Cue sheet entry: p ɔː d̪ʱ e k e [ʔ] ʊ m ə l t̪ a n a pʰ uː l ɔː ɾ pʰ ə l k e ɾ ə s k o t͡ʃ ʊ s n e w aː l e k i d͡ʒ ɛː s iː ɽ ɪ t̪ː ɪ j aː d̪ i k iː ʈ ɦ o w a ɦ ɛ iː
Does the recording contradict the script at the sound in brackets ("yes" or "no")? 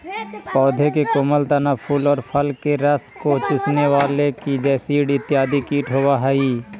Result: yes